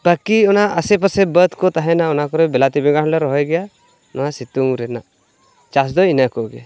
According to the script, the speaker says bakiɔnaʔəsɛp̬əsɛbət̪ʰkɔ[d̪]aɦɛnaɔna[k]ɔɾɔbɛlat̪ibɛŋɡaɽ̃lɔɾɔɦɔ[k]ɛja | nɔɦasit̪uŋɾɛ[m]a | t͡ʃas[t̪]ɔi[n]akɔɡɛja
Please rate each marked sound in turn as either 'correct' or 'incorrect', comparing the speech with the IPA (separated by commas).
incorrect, correct, incorrect, incorrect, incorrect, correct